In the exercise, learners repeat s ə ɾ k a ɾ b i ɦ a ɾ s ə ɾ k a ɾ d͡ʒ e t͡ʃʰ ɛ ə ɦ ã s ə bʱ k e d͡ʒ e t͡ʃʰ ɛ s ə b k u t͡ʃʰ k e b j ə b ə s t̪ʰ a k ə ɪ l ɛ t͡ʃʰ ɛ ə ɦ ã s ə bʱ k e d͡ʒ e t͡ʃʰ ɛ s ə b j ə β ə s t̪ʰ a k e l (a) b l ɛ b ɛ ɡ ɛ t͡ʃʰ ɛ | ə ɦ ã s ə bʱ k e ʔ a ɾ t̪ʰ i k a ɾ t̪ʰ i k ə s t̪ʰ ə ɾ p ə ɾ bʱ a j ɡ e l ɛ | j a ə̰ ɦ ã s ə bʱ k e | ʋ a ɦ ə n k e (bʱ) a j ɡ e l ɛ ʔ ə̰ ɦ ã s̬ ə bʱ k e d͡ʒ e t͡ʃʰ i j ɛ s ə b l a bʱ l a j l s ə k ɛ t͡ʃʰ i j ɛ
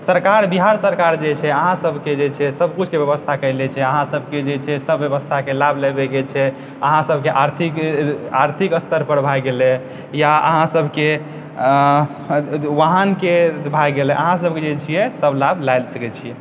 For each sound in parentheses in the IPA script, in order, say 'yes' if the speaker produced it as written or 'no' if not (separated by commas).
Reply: yes, yes